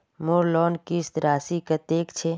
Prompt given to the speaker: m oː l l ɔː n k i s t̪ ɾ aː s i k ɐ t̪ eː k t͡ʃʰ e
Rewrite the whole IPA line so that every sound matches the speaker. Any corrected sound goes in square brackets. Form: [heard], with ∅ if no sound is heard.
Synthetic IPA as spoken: m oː [ɾ] l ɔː n k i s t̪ ɾ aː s i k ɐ t̪ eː k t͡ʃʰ e